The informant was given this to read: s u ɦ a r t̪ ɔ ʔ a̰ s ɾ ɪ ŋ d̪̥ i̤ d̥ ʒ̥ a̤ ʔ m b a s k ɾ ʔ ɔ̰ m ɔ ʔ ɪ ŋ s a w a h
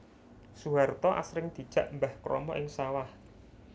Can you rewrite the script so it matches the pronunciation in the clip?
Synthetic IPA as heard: s u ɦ a r t̪ ɔ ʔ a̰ s ɾ ɪ ŋ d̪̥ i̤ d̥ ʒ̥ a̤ ʔ m b a h k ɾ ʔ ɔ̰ m ɔ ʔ ɪ ŋ s a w a h